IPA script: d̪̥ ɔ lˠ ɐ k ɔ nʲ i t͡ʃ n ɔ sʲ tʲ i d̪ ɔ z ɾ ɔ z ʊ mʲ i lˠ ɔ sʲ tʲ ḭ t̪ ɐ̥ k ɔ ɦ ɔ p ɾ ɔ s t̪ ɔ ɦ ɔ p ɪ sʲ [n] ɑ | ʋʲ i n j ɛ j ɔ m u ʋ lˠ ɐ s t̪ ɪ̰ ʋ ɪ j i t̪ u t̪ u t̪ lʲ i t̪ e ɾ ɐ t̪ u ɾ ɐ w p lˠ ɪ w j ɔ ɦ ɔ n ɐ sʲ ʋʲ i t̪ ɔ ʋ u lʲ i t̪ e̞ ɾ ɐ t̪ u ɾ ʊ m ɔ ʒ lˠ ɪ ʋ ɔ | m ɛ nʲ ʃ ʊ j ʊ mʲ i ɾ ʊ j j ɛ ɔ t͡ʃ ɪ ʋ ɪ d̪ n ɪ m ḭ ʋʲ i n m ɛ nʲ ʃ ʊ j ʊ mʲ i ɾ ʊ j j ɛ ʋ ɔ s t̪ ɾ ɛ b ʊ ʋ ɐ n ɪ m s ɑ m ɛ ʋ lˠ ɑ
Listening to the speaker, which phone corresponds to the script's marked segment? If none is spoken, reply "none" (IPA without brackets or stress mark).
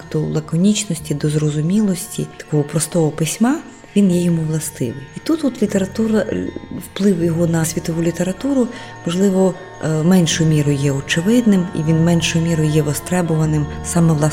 m